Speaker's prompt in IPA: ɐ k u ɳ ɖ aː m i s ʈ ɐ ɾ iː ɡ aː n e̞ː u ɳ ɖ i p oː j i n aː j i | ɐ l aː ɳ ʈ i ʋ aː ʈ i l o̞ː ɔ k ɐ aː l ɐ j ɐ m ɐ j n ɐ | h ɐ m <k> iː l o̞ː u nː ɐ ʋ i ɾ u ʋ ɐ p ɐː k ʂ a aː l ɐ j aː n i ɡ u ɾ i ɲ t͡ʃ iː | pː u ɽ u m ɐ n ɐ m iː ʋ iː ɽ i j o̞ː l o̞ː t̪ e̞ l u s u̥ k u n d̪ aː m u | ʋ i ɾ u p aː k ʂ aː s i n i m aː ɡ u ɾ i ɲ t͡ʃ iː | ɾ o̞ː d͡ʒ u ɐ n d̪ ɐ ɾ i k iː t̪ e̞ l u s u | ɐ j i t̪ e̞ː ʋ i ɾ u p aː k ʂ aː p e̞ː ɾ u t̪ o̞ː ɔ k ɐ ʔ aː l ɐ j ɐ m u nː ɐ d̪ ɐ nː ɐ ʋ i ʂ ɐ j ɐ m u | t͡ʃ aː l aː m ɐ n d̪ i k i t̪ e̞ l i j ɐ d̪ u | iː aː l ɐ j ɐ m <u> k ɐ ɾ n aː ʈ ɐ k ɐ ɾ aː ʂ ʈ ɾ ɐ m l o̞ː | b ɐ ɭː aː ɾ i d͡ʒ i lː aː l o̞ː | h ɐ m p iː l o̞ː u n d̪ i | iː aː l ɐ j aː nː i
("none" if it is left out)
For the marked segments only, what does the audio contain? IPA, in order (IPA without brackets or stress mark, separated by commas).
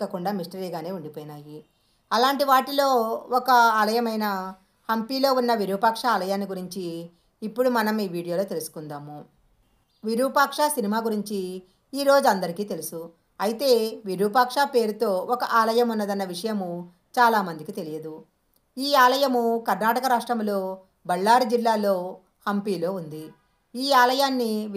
p, u